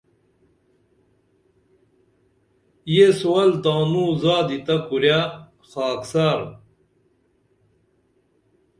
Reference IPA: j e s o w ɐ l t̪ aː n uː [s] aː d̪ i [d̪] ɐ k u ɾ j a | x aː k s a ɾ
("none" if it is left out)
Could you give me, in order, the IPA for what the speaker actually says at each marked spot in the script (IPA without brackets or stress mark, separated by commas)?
z, t̪